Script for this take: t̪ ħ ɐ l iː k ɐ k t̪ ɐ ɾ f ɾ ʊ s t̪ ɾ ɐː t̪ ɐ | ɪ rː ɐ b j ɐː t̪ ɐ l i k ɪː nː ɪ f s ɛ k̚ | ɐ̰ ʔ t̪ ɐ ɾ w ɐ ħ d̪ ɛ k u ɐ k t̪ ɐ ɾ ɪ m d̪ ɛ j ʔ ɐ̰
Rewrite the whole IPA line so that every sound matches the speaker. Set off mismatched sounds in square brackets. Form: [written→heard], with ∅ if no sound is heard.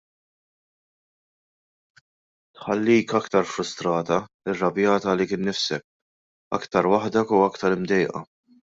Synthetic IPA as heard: t̪ ħ ɐ [l→lː] iː k ɐ k t̪ ɐ ɾ f ɾ ʊ s t̪ ɾ ɐː t̪ ɐ | ɪ rː ɐ b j ɐː t̪ ɐ l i k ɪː nː ɪ f s ɛ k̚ | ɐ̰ [ʔ→k] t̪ ɐ ɾ w ɐ ħ d̪ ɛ k u ɐ k t̪ ɐ ɾ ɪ m d̪ ɛ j ʔ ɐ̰